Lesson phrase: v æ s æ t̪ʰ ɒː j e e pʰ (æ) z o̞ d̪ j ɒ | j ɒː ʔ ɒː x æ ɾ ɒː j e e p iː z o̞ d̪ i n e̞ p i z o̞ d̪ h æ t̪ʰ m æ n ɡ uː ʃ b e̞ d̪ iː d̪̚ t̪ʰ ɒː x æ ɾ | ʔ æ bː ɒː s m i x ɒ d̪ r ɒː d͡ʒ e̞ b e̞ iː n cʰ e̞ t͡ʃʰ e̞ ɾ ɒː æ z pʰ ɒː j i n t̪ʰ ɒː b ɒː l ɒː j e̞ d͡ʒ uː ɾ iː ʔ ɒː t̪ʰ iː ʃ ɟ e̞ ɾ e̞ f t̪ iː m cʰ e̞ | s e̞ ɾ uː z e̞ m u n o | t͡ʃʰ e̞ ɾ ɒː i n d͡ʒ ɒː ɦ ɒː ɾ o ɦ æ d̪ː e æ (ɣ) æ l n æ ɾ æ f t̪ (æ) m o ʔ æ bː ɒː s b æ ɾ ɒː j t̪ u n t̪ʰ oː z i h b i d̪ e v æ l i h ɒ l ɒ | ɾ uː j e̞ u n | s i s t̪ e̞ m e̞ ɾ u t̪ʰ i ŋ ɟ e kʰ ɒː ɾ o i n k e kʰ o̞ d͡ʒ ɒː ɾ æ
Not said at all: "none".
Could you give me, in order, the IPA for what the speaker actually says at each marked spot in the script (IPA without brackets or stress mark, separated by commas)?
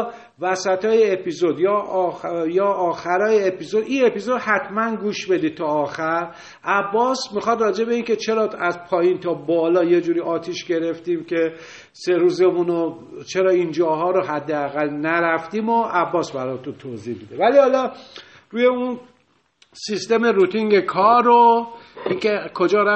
i, ɣ, i